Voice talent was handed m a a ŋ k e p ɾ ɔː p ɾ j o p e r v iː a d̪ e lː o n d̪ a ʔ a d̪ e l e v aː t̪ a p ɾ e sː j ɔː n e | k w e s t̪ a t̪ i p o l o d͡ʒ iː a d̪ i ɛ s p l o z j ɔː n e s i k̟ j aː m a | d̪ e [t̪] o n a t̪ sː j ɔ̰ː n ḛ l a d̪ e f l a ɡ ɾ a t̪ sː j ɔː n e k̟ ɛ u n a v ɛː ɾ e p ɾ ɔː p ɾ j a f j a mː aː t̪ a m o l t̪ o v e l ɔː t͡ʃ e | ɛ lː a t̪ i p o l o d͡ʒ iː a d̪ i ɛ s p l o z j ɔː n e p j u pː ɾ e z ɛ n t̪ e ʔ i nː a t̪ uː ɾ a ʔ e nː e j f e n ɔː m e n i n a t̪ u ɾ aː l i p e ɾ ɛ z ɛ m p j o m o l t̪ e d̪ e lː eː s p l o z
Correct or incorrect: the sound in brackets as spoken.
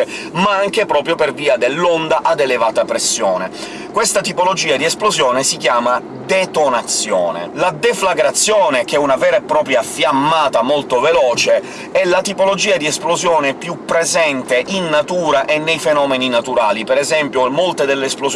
correct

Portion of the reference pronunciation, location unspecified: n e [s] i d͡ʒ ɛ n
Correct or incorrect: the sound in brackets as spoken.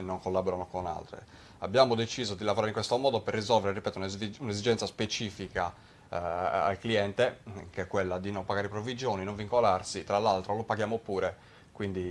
incorrect: z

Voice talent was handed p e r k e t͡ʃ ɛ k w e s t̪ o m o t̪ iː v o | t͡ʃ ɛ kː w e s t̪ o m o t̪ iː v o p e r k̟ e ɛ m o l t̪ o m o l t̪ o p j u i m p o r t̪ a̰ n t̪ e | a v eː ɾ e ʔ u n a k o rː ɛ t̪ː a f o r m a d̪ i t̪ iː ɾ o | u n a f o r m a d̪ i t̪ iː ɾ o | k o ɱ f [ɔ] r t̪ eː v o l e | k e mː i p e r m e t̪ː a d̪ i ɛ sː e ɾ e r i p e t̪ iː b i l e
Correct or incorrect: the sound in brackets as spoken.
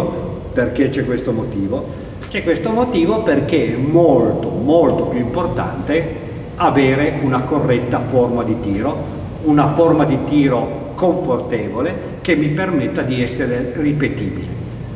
incorrect: o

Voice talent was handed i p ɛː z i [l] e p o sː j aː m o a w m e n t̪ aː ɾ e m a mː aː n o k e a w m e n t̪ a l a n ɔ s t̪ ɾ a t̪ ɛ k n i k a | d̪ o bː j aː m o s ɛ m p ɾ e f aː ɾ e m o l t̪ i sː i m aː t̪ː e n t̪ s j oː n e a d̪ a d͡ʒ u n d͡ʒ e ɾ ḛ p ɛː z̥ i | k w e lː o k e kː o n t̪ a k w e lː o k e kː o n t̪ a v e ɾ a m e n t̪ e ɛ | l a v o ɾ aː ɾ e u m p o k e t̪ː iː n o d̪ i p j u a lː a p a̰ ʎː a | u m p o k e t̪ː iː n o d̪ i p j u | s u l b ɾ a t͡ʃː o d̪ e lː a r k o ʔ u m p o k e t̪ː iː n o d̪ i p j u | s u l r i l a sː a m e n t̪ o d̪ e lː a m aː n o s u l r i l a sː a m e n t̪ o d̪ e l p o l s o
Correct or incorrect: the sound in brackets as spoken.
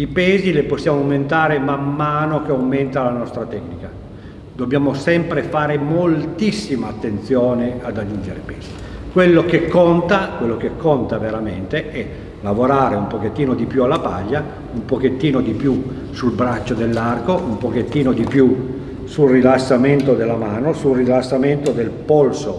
correct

